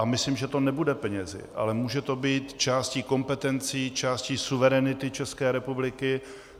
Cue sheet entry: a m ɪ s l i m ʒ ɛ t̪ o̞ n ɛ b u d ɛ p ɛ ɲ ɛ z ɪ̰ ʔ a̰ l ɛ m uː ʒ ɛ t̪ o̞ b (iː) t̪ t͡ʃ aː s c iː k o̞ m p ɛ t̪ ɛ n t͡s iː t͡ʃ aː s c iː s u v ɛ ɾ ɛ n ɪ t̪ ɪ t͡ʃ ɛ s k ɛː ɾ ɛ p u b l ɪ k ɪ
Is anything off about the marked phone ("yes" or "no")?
no